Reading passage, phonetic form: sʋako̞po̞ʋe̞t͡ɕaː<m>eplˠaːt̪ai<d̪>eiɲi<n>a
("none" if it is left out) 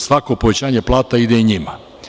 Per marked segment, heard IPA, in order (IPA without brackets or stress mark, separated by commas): ɲ, d̪, m